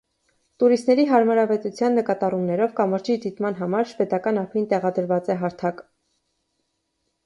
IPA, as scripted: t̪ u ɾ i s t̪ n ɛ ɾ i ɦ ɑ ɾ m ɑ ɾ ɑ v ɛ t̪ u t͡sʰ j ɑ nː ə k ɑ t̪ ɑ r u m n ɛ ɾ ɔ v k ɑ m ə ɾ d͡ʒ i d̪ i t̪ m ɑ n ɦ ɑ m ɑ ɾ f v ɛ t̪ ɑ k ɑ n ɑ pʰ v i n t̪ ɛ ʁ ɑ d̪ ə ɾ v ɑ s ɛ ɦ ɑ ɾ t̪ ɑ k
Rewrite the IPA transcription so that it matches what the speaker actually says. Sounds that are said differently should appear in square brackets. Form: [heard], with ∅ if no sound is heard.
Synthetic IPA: t̪ u ɾ i s t̪ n ɛ ɾ i ɦ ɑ ɾ m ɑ ɾ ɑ v ɛ t̪ u t͡sʰ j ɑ nː ə k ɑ t̪ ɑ r u m n ɛ ɾ ɔ v k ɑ m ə ɾ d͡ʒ i d̪ i t̪ m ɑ n ɦ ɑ m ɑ ɾ [ʃ] v ɛ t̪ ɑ k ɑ n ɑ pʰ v i n t̪ ɛ ʁ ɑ d̪ ə ɾ v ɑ [t͡s] ɛ ɦ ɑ ɾ [t̪ʰ] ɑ k